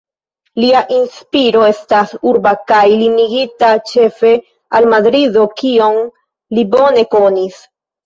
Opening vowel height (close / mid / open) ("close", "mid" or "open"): close